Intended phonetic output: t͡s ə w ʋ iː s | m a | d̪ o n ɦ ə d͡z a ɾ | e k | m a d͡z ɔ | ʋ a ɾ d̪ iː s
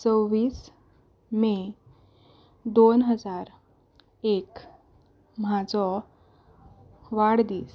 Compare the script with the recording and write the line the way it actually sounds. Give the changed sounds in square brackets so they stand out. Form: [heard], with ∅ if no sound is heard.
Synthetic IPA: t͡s ə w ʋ iː s | m [e] | d̪ o n ɦ ə d͡z a ɾ | e k | m a d͡z ɔ | ʋ a [ɽ] d̪ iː s